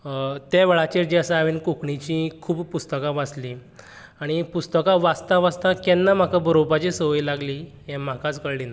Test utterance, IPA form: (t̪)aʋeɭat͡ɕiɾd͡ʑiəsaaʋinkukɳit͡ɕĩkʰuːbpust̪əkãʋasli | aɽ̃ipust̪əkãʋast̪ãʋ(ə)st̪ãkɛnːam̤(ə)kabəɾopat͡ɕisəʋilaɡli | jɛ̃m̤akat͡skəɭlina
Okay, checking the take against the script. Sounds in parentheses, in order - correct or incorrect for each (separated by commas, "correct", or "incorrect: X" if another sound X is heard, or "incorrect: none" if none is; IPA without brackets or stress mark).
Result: correct, incorrect: a, incorrect: a